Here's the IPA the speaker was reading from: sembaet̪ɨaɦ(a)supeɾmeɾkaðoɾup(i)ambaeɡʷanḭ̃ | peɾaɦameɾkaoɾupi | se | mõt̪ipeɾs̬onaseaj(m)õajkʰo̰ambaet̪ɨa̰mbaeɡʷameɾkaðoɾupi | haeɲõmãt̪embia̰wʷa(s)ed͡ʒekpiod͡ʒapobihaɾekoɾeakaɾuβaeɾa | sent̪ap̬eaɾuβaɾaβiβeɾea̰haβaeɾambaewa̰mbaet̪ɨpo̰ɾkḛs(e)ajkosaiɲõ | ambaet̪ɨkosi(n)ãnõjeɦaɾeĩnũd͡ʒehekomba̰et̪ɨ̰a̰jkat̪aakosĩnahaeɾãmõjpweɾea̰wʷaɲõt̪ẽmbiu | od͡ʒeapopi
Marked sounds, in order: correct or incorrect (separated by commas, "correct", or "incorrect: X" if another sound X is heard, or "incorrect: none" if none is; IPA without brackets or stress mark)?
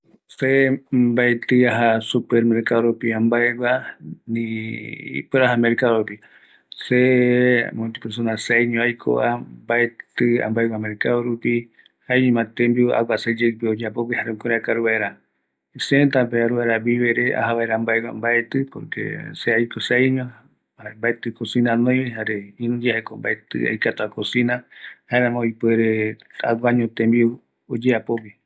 correct, correct, incorrect: ɲ, correct, correct, correct